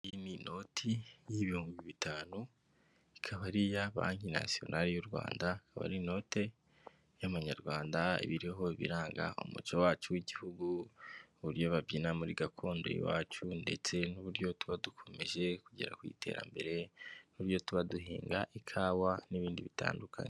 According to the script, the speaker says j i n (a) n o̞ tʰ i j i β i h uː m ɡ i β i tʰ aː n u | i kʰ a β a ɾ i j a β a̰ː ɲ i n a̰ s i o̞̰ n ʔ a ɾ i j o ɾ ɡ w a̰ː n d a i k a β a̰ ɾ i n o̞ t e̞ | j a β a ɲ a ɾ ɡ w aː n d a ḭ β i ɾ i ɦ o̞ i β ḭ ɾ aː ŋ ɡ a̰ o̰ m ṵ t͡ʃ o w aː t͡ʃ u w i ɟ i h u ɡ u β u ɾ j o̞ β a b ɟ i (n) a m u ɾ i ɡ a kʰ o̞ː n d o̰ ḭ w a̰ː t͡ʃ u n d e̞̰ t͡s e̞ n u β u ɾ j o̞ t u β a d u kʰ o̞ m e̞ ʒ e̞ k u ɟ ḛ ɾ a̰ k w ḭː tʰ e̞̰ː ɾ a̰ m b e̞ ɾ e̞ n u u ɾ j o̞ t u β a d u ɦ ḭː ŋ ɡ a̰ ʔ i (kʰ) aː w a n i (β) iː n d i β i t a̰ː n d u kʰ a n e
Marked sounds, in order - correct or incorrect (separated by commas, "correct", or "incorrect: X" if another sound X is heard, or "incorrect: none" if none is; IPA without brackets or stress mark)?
incorrect: i, correct, correct, correct